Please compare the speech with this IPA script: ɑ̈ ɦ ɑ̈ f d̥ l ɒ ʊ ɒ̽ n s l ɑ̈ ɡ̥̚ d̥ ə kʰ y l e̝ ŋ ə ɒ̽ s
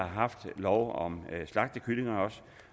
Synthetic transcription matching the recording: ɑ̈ ɦ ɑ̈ f d̥ l ɒ ʊ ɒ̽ m s l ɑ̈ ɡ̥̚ d̥ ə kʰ y l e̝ ŋ ɐ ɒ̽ s